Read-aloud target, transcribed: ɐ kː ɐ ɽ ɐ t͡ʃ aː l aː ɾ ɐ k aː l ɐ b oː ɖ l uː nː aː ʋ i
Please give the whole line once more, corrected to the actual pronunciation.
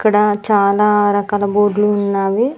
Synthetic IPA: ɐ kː ɐ ɽ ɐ t͡ʃ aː l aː ɾ ɐ k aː l ɐ b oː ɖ l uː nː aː ʋ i